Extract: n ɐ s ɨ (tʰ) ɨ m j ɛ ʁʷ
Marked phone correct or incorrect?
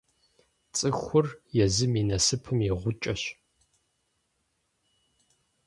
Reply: incorrect